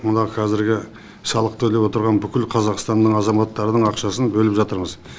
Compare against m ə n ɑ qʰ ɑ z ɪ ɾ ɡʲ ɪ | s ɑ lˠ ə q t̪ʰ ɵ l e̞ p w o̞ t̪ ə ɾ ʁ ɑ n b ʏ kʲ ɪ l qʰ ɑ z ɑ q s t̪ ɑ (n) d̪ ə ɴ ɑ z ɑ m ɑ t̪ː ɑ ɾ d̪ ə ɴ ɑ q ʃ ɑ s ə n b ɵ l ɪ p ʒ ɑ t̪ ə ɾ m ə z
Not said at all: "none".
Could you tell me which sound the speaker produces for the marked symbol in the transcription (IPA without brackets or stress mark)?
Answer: n